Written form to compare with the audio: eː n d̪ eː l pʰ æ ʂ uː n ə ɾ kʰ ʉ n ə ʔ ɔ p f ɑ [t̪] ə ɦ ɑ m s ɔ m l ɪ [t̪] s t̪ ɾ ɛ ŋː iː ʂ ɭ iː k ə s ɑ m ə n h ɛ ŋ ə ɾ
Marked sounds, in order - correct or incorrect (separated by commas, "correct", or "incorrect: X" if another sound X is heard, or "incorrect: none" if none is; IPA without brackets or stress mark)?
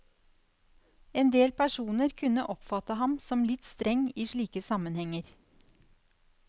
correct, correct